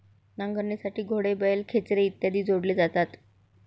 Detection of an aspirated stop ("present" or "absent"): present